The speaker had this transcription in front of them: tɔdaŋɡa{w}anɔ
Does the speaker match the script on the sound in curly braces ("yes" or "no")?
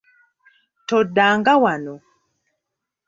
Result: yes